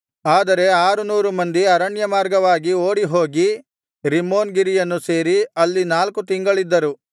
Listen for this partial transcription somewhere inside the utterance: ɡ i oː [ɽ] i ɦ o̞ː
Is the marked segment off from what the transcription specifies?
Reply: no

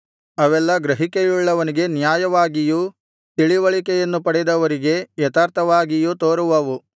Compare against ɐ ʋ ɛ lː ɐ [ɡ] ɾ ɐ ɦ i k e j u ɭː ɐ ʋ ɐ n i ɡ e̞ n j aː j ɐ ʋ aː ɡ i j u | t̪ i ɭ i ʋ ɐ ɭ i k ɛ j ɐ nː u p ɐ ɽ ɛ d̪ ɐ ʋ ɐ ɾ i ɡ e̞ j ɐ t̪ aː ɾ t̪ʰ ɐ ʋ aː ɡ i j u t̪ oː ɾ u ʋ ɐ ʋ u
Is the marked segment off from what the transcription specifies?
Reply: no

